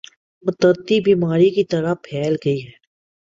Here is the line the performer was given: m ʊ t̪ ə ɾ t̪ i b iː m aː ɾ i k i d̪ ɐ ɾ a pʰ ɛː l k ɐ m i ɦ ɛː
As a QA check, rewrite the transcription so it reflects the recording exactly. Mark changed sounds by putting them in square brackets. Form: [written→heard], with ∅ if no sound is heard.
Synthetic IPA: m ʊ t̪ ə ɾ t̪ i b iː m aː ɾ i k i [d̪→t̪] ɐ ɾ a pʰ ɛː l [k→ɡ] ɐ [m→∅] i ɦ ɛː

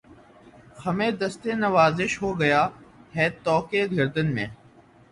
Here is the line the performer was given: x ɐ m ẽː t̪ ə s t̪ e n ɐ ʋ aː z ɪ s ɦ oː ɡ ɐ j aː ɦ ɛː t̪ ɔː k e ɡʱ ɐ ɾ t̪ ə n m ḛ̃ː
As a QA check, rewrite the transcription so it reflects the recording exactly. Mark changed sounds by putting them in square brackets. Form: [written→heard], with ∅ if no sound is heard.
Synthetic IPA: x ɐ m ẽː [t̪→d̪] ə s t̪ e n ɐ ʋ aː z ɪ [s→ʃ] ɦ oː ɡ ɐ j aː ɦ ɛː t̪ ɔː k e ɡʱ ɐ ɾ [t̪→d̪] ə n m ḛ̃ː

